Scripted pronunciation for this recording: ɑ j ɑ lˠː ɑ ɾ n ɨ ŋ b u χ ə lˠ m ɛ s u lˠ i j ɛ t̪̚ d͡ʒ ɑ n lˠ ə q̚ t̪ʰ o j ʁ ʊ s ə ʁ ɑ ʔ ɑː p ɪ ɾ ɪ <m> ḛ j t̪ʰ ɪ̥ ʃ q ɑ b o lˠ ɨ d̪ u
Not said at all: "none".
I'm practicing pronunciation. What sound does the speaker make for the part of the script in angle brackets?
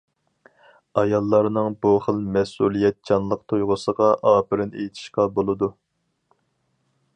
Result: n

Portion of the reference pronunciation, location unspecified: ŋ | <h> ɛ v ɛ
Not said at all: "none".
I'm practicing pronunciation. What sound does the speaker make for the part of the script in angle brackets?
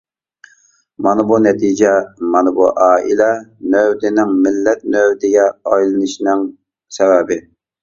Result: s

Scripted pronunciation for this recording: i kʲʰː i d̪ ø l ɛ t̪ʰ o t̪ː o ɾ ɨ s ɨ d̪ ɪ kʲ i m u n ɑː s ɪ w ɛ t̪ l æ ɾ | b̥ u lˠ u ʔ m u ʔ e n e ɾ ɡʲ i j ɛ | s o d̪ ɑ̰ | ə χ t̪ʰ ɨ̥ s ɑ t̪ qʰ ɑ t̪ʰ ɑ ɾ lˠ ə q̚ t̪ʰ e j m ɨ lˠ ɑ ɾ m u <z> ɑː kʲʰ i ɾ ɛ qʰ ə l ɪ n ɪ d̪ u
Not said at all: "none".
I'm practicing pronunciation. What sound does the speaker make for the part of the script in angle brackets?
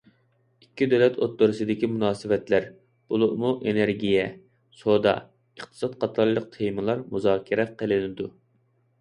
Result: z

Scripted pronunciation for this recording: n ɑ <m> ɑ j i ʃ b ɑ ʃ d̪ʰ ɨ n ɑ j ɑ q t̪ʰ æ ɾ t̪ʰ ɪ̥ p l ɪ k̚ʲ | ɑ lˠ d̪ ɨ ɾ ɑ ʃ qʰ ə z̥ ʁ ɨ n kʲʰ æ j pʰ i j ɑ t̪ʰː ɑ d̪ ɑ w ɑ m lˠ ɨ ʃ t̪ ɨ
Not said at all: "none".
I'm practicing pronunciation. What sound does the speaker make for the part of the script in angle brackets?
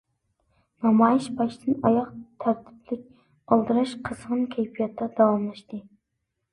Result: m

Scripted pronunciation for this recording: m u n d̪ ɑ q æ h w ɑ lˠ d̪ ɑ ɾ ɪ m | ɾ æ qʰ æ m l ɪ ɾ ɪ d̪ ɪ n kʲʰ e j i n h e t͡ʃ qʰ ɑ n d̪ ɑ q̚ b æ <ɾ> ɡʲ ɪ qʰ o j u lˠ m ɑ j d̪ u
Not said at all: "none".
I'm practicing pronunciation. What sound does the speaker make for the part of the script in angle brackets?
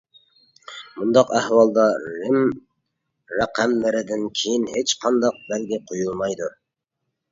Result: l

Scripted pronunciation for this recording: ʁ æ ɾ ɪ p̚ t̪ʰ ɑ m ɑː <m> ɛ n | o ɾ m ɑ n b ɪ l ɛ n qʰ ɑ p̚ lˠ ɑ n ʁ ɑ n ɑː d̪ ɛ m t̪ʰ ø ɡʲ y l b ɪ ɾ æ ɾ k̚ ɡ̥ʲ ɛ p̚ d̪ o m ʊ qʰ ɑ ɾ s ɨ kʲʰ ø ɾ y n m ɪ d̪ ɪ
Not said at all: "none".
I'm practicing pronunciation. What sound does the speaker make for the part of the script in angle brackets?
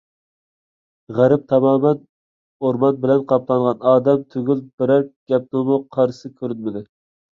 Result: m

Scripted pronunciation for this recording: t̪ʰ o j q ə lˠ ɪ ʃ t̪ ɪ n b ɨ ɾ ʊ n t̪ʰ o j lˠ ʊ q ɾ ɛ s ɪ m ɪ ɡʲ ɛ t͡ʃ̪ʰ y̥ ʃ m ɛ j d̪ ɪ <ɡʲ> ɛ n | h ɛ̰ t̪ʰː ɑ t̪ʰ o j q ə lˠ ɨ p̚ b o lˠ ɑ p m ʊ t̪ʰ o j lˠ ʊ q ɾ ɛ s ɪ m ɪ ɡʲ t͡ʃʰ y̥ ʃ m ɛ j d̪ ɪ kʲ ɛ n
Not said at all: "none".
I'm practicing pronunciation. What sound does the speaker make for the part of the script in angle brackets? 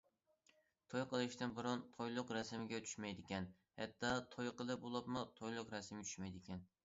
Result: kʲ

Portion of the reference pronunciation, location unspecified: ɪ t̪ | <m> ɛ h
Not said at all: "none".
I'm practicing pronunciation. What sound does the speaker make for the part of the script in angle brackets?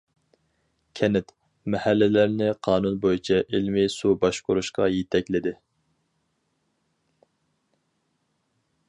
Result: m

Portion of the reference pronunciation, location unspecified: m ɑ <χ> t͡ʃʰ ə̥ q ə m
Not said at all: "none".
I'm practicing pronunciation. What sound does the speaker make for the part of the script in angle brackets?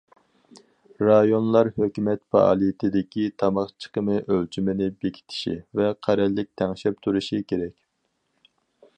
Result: χ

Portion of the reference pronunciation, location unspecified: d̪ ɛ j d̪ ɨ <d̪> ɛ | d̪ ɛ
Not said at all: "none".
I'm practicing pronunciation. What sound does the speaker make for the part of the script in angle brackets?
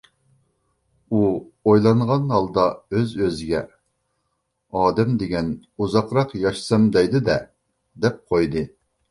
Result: d̪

